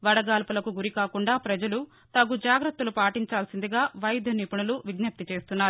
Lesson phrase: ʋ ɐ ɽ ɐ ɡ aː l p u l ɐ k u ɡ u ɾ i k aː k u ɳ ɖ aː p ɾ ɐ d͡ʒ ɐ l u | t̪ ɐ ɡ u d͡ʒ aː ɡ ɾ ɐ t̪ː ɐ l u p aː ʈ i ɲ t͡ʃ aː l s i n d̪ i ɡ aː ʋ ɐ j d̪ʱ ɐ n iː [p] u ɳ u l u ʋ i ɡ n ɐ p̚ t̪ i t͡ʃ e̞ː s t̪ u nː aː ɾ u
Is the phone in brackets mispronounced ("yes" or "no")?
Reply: no